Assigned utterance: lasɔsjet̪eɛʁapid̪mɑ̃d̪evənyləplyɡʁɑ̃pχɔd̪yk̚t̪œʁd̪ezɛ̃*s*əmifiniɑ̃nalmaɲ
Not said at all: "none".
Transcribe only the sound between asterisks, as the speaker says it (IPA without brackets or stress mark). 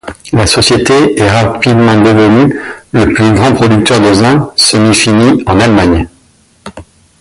s